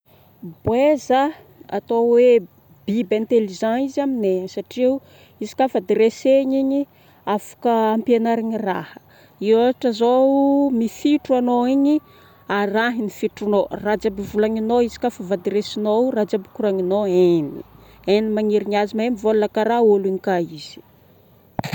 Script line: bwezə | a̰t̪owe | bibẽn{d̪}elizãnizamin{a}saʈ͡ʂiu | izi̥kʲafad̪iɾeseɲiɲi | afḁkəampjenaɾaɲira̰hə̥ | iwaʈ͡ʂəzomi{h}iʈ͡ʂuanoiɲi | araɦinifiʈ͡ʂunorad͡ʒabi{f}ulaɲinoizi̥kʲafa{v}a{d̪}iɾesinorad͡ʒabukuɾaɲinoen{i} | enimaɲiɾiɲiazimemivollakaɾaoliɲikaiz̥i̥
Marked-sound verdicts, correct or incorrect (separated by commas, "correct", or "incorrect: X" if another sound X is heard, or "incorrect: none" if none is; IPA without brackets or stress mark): incorrect: t̪, incorrect: e, incorrect: f, incorrect: v, correct, correct, correct